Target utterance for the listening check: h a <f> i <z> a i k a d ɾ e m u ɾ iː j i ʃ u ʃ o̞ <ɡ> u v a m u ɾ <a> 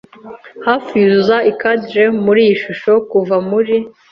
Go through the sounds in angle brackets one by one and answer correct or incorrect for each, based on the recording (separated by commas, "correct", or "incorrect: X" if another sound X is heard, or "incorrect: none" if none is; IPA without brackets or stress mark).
correct, correct, incorrect: k, incorrect: i